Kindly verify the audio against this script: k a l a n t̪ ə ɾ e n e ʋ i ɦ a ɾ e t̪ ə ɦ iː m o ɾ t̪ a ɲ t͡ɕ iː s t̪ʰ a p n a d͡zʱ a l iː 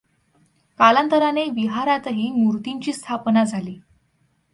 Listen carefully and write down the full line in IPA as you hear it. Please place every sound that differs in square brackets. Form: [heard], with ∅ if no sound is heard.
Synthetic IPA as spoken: k a l a n t̪ ə ɾ [a] n e ʋ i ɦ a ɾ [a] t̪ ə ɦ iː m [u] ɾ t̪ [i] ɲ t͡ɕ iː s t̪ʰ a p n a d͡zʱ a l iː